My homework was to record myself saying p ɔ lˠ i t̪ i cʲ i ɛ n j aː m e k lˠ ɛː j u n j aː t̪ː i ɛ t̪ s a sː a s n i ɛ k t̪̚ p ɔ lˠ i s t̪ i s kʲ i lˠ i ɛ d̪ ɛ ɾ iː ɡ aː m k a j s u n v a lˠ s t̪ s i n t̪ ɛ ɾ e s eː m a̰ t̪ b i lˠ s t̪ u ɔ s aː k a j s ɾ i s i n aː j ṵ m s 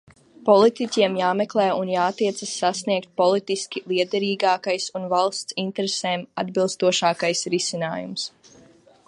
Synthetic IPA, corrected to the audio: p ɔ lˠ i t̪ i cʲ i ɛ m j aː m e k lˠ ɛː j u n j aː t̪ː i ɛ t̪ s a sː a s n i ɛ k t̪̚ p ɔ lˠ i t̪ i s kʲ i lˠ i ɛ d̪ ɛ ɾ iː ɡ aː k a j s u n v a lˠ s t̪ s i n t̪ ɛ ɾ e s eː m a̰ d̪ b i lˠ s t̪ u ɔ ʃ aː k a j s ɾ i s i n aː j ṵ m s